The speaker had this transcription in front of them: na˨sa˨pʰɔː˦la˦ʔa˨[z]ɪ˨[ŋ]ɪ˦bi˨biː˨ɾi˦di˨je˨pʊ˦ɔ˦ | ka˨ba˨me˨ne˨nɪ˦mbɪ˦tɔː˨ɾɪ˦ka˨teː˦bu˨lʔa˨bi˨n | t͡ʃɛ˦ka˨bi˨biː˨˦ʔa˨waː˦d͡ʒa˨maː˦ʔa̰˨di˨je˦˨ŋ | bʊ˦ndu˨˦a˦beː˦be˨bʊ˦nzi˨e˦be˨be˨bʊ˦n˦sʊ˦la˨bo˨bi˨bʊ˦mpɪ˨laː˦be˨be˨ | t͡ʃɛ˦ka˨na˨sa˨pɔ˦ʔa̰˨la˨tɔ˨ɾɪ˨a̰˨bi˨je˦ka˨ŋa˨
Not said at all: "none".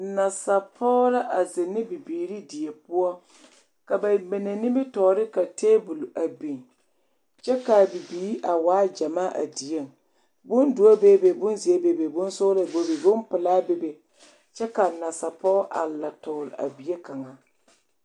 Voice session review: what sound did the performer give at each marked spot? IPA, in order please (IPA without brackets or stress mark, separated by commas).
z, n